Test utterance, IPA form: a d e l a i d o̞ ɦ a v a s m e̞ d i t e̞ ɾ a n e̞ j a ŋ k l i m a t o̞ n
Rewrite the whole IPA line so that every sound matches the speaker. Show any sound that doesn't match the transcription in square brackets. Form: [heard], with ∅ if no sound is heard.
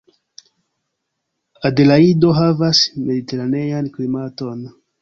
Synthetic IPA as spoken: a d e l a i d o̞ ɦ a v a s m e̞ d i t e̞ ɾ a n e̞ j a [n] k l i m a t o̞ n